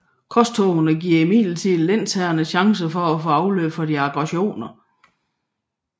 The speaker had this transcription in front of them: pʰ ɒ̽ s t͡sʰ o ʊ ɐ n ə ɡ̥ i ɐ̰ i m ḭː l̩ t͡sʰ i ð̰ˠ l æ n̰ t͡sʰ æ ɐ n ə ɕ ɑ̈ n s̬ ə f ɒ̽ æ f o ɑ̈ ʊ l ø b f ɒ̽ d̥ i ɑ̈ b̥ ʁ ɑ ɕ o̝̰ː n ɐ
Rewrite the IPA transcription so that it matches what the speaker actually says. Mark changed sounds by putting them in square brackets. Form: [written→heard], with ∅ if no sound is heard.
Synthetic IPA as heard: [pʰ→kʰ] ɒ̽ s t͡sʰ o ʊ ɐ n ə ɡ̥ i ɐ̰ i m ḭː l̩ t͡sʰ i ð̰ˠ l [æ→e] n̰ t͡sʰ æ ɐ n ə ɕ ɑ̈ [n→ŋ] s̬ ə f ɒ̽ æ f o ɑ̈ ʊ l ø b f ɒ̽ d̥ i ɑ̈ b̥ ʁ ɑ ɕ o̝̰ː n ɐ